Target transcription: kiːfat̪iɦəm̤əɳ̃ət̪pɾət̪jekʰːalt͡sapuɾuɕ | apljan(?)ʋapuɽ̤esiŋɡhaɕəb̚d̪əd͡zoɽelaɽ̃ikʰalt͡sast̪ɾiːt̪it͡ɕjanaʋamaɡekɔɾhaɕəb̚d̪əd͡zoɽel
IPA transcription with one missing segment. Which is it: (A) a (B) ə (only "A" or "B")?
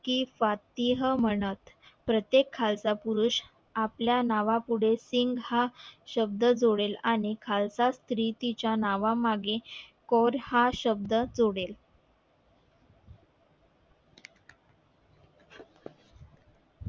A